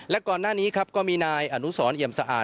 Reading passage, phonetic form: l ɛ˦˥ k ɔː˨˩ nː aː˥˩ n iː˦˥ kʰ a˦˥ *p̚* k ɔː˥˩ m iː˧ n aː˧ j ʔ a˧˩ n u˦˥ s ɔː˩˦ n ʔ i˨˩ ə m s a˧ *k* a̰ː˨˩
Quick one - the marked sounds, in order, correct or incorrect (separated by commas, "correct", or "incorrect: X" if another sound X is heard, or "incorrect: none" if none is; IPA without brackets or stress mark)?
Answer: correct, incorrect: ʔ